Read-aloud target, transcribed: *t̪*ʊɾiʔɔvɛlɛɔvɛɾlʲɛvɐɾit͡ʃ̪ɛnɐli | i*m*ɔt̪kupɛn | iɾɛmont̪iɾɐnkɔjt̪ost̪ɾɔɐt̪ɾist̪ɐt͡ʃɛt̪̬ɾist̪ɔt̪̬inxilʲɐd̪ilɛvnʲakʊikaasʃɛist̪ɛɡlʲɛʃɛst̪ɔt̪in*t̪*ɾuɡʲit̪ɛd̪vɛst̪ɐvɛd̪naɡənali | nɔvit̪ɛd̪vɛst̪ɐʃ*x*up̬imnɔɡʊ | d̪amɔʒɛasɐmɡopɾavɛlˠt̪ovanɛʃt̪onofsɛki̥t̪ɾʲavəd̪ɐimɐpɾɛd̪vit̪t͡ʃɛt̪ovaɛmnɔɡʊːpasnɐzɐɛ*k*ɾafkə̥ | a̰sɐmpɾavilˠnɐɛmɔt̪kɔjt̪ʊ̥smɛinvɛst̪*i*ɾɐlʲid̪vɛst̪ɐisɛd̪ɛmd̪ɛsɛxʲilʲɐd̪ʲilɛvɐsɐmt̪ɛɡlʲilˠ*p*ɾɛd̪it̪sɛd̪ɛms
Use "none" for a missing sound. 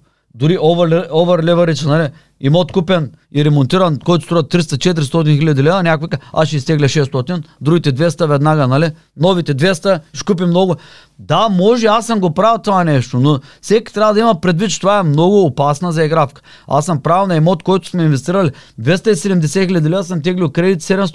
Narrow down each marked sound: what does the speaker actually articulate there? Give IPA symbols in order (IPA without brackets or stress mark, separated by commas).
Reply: d̪, m, d̪, k, ɡ, i, k